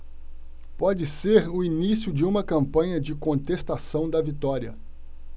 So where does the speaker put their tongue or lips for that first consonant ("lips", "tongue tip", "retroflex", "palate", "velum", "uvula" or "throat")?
lips